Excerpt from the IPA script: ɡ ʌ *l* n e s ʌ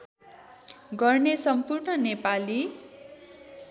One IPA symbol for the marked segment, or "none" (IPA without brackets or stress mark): r